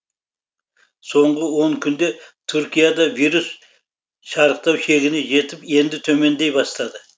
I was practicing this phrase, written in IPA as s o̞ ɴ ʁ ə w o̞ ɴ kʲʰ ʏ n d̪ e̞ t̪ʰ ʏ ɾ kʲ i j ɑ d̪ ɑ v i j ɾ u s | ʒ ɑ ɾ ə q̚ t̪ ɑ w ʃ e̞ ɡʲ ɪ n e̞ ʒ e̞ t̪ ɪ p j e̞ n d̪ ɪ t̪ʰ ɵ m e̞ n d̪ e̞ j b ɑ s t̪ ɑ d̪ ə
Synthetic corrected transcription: s o̞ ɴ ʁ ə w o̞ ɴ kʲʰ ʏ n d̪ e̞ t̪ʰ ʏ ɾ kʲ i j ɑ d̪ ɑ v i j ɾ u s | ʃ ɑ ɾ ə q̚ t̪ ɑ w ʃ e̞ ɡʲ ɪ n e̞ ʒ e̞ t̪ ɪ p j e̞ n d̪ ɪ t̪ʰ ɵ m e̞ n d̪ e̞ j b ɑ s t̪ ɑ d̪ ə